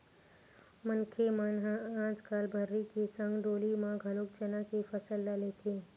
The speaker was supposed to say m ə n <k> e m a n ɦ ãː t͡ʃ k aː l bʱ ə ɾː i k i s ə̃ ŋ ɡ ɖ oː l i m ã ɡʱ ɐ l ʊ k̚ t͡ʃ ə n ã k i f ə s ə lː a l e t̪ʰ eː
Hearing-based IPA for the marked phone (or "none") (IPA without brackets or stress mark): kʰ